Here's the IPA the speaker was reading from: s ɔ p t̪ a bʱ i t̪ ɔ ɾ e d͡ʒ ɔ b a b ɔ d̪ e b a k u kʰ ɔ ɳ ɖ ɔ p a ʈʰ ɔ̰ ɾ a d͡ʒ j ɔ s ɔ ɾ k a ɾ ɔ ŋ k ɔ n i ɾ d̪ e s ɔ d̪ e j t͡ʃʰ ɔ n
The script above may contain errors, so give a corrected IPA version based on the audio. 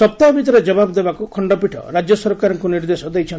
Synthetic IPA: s ɔ p t̪ a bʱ i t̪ ɔ ɾ e d͡ʒ ɔ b a b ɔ d̪ e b a k u kʰ ɔ ɳ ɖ ɔ p i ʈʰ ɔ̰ ɾ a d͡ʒ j ɔ s ɔ ɾ k a ɾ ɔ ŋ k u n i ɾ d̪ e s ɔ d̪ e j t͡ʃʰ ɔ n